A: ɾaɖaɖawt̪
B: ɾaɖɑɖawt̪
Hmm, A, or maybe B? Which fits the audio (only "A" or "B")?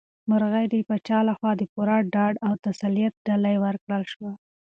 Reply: B